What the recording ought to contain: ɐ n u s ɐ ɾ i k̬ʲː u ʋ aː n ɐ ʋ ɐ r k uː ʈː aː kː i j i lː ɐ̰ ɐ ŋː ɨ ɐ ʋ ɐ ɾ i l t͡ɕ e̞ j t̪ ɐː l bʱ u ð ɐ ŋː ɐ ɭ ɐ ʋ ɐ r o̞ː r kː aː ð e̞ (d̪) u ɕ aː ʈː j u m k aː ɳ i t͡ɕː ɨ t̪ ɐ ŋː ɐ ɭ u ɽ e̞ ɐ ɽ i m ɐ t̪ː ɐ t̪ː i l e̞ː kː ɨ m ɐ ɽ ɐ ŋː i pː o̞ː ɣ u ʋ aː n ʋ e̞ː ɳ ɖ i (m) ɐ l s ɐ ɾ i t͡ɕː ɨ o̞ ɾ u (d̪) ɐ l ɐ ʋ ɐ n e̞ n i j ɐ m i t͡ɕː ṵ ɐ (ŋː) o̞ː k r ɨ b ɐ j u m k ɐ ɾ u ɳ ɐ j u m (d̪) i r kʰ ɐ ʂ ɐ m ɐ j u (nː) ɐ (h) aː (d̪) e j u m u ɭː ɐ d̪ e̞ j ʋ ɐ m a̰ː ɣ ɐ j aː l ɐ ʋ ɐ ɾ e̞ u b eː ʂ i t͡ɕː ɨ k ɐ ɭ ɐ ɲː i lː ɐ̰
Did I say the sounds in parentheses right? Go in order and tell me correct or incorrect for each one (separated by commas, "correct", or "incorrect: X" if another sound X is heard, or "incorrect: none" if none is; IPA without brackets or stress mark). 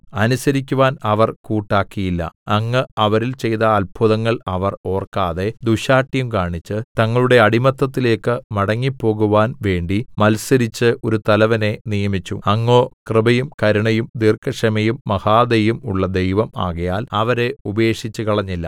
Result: correct, correct, incorrect: t̪, correct, correct, incorrect: mː, correct, correct